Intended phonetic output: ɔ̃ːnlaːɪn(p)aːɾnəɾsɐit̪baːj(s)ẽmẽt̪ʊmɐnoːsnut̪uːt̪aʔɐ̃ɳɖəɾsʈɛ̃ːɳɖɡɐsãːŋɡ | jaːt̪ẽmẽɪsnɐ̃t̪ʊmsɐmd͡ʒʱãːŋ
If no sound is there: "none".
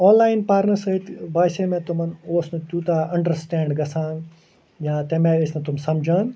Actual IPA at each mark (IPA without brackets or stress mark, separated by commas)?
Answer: p, s